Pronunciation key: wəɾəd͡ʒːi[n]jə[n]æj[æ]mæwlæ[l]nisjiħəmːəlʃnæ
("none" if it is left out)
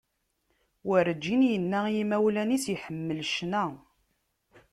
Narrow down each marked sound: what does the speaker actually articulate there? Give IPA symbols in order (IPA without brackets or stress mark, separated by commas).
n, nː, i, none